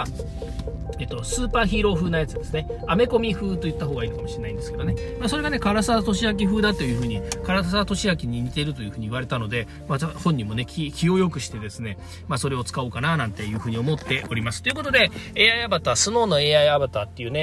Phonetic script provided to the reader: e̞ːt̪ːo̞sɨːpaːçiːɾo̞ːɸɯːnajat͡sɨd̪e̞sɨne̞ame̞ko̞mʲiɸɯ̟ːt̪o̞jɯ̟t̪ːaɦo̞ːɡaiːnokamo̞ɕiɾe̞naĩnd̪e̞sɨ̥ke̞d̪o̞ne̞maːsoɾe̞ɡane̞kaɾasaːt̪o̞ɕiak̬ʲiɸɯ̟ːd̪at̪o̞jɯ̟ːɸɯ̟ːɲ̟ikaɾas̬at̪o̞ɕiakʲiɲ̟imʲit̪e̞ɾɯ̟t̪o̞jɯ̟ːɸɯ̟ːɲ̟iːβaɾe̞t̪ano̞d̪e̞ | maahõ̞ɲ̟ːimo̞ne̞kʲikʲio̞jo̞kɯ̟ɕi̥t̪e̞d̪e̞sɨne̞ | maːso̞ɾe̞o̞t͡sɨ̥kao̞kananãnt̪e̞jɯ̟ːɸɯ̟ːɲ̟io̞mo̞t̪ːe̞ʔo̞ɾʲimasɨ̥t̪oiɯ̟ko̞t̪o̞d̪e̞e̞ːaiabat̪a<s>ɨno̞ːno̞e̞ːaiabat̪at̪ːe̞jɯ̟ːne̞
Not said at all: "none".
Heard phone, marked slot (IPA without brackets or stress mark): s